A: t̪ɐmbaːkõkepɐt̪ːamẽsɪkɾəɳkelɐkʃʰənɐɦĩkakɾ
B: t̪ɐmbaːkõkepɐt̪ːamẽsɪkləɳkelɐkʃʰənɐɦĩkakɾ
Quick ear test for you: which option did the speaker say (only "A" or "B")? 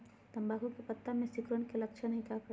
A